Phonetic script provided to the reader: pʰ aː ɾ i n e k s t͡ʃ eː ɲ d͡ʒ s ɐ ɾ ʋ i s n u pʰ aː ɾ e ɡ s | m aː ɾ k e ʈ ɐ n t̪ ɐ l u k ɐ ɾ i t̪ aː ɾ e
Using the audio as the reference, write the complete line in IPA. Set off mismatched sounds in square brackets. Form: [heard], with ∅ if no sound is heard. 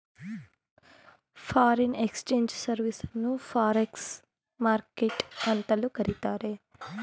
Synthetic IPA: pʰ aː ɾ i n e k s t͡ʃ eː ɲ d͡ʒ s ɐ ɾ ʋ i s n u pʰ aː ɾ e [k] s | m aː ɾ k e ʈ ɐ n t̪ ɐ l u k ɐ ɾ i t̪ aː ɾ e